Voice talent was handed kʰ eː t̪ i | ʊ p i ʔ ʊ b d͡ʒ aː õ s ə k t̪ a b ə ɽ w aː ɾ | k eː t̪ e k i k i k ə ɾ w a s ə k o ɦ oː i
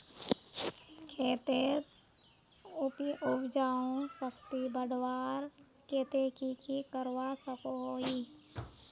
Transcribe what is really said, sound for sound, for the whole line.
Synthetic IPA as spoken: kʰ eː t̪ e | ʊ p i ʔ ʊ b d͡ʒ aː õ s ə k t̪ i b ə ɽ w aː ɾ | k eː t̪ e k i k i k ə ɾ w a s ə k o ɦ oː i